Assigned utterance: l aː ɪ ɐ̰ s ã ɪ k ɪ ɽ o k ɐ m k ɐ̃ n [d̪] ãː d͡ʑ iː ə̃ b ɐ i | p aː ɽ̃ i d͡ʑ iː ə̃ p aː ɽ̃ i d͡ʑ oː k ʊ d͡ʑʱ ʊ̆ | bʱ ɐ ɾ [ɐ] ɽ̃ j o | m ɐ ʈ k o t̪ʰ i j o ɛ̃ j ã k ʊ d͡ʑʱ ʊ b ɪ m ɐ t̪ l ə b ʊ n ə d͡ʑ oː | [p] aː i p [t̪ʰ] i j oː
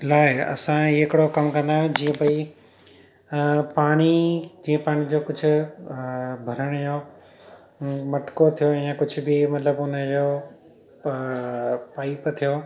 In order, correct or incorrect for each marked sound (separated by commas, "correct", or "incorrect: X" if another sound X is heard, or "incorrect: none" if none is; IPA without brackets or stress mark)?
correct, incorrect: ə, correct, correct